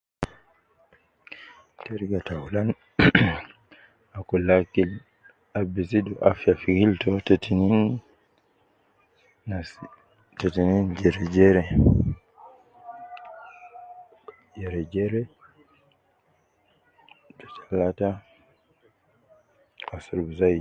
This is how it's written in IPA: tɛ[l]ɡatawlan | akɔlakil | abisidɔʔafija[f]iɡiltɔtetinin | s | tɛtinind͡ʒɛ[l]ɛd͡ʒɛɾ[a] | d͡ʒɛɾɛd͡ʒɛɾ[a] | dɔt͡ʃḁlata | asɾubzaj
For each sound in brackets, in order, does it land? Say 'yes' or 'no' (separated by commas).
no, yes, no, no, no